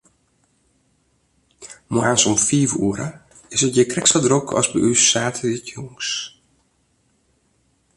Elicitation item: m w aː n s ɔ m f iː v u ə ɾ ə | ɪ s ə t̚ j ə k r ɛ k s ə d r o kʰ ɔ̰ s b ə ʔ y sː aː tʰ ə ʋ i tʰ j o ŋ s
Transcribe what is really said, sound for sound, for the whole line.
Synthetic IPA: m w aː n s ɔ m f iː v u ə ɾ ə | ɪ s ə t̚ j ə k r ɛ k s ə d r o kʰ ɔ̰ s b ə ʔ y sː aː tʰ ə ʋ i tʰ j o ŋ s